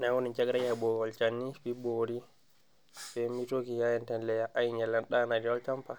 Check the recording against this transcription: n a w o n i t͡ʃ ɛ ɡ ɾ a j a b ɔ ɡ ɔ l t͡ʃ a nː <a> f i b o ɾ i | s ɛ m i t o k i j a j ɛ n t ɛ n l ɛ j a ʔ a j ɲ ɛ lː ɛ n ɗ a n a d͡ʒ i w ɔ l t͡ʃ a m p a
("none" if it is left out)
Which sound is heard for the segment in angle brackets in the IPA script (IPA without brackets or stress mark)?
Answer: i